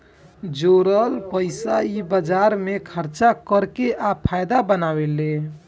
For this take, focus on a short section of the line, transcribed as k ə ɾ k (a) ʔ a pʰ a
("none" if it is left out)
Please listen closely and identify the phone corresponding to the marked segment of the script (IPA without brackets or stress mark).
e